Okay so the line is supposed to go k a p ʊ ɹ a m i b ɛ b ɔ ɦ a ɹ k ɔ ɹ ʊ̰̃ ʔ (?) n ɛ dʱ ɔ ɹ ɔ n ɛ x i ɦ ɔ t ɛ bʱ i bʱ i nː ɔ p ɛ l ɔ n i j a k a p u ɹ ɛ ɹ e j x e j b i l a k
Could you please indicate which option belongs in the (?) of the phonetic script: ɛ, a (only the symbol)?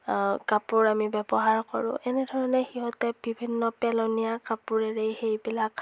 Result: ɛ